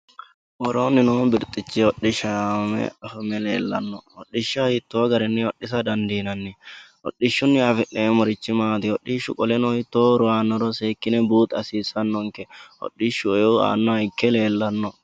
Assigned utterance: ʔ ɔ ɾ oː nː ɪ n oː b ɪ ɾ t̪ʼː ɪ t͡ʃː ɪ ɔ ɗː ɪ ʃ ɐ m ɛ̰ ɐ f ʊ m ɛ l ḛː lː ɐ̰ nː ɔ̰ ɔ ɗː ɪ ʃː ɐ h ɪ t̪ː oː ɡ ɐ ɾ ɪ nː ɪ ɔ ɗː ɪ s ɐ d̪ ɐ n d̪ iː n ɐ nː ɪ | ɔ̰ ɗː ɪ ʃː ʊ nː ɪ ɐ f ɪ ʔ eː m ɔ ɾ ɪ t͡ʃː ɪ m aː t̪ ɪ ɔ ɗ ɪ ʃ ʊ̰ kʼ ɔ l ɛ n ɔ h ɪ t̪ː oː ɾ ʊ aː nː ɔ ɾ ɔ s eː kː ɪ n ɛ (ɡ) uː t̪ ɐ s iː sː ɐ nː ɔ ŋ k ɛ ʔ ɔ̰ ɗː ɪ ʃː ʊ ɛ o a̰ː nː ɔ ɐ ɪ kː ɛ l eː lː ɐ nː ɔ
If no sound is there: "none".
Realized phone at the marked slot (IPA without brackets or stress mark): b